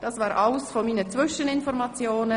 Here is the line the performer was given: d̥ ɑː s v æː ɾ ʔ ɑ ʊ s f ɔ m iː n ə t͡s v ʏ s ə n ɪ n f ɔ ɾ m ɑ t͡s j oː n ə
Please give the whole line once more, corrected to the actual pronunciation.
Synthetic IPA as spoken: d̥ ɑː s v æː ɾ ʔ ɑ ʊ s f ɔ m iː n ə t͡s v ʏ ʃ ə n ɪ n f ɔ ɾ m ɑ t͡s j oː n ə